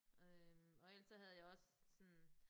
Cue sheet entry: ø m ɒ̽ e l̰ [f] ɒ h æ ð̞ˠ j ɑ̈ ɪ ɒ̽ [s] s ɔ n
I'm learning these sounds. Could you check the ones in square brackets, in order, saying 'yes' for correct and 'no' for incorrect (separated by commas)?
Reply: no, yes